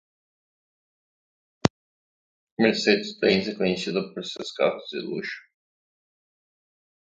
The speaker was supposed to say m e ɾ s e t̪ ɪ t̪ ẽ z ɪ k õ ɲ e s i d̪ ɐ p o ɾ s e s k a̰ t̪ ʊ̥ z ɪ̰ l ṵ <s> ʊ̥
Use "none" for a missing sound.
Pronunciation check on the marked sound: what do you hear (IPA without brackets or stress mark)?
ʃ